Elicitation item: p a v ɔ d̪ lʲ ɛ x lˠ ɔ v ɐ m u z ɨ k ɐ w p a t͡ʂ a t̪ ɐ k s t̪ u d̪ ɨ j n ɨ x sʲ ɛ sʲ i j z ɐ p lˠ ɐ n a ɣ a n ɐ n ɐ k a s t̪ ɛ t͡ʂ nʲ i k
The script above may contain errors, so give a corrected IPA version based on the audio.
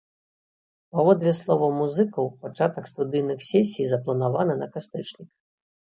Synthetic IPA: p a v ɔ d̪ lʲ ɛ s lˠ ɔ v ɐ m u z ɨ k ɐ w p a t͡ʂ a t̪ ɐ k s t̪ u d̪ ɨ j n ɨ x sʲ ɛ sʲ i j z ɐ p lˠ ɐ n a v a n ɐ n ɐ k a s t̪ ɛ t͡ʂ nʲ i k